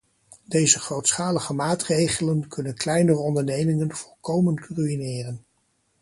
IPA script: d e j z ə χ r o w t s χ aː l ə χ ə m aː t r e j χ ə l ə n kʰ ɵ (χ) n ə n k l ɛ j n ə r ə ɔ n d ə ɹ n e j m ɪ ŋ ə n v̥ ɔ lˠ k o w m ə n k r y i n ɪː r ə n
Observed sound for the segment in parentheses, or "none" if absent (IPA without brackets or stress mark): none